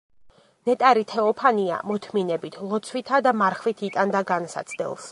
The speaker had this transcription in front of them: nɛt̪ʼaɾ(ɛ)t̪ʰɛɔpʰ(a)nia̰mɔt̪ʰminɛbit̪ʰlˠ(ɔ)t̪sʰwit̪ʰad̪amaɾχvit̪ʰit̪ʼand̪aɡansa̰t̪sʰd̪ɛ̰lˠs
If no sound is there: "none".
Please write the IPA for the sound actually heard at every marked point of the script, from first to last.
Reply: i, a, ɔ

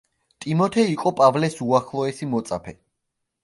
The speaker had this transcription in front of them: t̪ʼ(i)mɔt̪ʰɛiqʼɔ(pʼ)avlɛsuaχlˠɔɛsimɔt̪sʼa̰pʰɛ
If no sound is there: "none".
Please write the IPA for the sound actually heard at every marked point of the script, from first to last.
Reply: i, pʼ

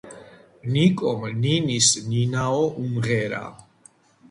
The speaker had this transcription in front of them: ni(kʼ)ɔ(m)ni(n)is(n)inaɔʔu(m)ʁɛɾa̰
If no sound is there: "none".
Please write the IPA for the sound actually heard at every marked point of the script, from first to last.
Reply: kʼ, m, n, n, m

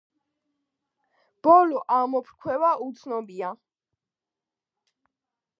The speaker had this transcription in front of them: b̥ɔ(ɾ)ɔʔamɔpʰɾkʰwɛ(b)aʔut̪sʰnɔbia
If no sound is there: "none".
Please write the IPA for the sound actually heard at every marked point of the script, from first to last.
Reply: l, v

